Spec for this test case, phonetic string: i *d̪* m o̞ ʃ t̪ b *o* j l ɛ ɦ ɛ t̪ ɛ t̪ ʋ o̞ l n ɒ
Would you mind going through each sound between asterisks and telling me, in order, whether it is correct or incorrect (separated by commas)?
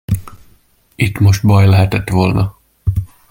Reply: incorrect, incorrect